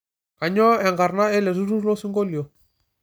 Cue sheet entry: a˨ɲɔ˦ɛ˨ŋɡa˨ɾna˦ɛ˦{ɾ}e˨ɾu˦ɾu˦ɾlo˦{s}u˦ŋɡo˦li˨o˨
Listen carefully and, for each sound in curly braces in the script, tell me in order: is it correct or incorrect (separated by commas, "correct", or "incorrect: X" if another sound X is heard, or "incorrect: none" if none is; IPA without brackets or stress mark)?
incorrect: l, correct